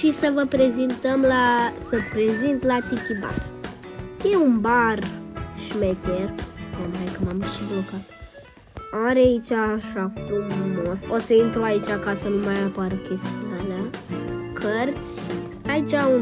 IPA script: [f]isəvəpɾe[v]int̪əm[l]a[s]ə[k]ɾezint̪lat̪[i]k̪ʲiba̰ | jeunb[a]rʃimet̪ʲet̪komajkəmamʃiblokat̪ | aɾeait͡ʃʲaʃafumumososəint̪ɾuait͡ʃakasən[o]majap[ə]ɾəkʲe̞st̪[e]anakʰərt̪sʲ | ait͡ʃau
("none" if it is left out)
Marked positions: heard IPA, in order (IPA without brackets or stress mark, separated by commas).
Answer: ʃ, z, l, s, p, i, a, u, a, i